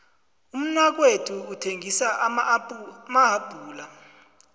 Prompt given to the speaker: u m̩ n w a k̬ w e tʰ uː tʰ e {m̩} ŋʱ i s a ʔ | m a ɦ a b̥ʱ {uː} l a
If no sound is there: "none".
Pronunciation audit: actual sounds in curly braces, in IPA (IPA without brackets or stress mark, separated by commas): none, uː